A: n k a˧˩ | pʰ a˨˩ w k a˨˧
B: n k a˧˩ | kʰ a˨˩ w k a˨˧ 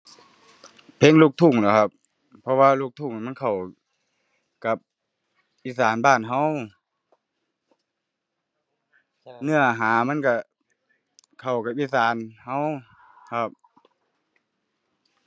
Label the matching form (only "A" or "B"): B